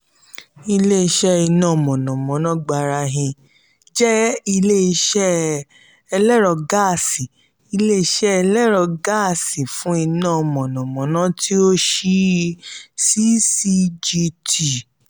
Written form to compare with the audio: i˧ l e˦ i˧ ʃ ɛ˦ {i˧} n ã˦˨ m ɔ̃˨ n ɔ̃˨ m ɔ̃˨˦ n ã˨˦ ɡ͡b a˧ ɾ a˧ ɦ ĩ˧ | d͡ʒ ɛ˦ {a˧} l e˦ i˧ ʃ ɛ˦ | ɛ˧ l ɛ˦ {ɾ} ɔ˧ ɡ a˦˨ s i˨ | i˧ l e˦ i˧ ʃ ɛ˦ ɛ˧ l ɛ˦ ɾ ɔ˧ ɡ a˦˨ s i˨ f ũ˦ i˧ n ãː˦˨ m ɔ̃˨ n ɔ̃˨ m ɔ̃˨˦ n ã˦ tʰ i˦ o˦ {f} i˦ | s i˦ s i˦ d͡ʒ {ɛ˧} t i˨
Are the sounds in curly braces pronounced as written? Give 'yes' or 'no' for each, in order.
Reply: yes, no, yes, no, no

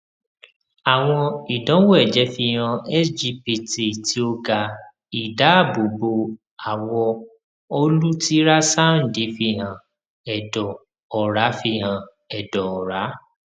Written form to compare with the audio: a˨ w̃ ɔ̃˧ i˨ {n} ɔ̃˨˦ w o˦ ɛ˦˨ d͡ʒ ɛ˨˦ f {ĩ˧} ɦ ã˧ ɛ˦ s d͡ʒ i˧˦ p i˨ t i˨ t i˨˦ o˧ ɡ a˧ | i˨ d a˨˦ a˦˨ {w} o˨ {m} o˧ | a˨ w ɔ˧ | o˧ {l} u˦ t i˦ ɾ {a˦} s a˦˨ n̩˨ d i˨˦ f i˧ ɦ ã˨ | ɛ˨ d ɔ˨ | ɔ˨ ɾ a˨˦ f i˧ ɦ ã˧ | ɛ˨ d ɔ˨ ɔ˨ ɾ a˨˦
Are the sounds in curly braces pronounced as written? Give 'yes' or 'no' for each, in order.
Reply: no, no, no, no, yes, yes

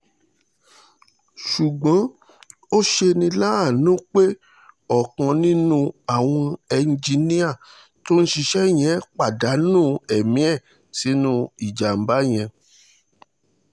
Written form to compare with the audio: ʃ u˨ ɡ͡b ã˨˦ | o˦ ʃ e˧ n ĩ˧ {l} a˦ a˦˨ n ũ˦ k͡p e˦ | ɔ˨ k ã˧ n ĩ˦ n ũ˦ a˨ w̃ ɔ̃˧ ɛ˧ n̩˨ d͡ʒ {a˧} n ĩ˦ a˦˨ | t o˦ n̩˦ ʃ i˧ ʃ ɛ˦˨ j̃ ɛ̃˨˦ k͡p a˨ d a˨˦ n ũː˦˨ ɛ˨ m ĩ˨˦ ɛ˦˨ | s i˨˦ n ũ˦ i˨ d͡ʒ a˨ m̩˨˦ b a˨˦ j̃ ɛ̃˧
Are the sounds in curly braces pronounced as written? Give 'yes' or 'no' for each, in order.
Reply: yes, no

